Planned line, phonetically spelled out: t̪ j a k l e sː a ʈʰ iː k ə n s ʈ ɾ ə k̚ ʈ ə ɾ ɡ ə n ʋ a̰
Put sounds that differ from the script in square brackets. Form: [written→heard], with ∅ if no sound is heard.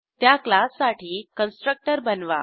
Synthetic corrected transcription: t̪ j a k l [e→a] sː a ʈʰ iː k ə n s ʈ ɾ ə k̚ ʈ ə ɾ [ɡ→b] ə n ʋ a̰